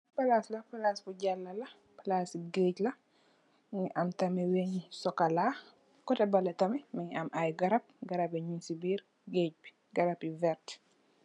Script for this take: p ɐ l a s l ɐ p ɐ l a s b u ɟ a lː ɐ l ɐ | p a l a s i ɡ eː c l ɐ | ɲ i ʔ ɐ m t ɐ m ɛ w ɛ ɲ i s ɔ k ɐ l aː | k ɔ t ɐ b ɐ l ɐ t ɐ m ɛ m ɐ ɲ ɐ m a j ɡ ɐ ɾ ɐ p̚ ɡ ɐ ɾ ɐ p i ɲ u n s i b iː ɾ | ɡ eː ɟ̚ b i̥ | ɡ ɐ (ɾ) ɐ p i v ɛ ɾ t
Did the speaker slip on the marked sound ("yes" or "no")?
no